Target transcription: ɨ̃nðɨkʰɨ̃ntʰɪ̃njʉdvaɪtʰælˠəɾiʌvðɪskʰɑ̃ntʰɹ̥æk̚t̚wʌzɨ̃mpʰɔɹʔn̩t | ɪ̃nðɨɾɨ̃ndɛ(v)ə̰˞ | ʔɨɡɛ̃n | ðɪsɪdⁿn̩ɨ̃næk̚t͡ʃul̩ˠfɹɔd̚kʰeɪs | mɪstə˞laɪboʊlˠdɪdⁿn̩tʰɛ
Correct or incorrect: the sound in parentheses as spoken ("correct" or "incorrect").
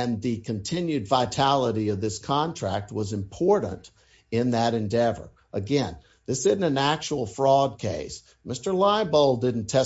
correct